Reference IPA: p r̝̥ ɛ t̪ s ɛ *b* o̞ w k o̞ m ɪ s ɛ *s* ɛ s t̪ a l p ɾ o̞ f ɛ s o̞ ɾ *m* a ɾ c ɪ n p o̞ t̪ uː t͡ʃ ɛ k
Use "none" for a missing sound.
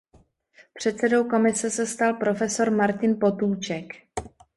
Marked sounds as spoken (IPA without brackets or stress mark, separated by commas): d, s, m